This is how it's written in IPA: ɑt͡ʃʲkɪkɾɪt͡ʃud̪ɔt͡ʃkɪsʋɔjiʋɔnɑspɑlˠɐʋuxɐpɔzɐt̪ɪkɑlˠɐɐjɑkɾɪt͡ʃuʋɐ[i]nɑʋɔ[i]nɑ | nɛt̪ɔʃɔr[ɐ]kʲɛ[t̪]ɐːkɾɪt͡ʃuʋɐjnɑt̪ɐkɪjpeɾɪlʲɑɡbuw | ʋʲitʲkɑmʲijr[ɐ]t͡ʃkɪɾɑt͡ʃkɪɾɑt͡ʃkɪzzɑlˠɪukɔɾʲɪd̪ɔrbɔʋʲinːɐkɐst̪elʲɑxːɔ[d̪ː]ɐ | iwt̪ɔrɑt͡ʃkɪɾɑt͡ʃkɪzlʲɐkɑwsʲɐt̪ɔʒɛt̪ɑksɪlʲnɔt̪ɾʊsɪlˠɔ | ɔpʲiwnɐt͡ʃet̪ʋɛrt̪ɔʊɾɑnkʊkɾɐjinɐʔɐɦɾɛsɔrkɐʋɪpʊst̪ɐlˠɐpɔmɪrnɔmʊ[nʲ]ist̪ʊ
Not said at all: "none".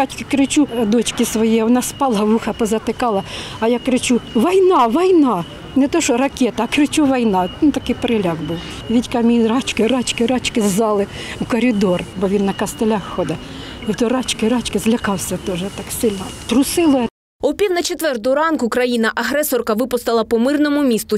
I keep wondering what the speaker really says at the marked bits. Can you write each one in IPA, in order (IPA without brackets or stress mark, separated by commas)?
j, j, ɐ, t̪, ɑ, d̪, mʲ